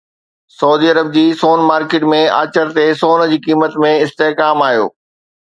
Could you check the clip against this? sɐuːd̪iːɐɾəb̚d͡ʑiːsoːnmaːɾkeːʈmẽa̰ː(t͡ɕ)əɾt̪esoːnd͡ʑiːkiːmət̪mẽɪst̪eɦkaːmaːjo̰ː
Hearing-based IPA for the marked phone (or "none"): t͡ɕ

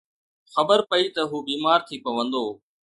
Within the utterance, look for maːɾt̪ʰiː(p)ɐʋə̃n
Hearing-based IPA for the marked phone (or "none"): p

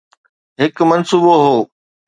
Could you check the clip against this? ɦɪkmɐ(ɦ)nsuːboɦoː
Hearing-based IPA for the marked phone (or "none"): none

